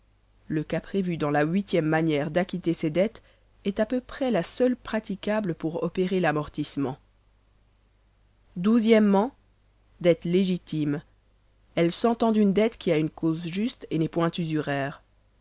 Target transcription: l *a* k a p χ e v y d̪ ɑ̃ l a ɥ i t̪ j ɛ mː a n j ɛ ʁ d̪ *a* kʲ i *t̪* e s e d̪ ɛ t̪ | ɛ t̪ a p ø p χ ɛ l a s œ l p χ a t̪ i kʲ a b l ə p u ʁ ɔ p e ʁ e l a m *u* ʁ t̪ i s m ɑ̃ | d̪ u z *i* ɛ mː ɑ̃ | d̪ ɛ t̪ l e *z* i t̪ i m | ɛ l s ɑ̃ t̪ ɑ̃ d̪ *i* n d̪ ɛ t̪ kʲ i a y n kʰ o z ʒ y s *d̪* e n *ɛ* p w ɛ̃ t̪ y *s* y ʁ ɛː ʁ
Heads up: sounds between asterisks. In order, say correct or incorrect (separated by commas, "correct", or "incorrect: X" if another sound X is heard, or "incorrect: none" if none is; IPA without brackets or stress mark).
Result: incorrect: ə, correct, correct, incorrect: ɔ, incorrect: j, incorrect: ʒ, incorrect: y, incorrect: t̪, correct, incorrect: z